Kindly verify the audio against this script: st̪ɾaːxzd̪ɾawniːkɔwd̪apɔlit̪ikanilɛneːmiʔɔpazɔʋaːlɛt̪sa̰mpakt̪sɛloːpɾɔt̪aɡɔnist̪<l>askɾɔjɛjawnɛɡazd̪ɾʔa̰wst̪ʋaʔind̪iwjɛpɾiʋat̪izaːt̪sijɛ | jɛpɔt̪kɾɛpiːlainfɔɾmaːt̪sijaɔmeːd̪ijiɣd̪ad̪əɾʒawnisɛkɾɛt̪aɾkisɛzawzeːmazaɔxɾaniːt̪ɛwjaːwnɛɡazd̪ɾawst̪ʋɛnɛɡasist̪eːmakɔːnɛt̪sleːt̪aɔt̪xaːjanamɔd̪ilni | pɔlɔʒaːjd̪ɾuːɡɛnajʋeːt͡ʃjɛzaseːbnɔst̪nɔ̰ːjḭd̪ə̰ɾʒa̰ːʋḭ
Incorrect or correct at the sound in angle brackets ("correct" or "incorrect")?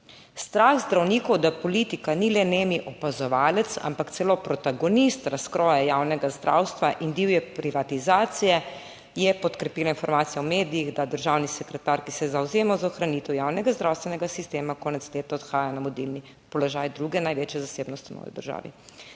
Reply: incorrect